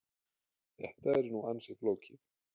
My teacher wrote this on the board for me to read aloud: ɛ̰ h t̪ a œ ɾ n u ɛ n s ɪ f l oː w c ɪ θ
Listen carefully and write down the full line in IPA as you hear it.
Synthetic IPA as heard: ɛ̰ h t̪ a ɛ ɾ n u a n s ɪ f l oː w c ɪ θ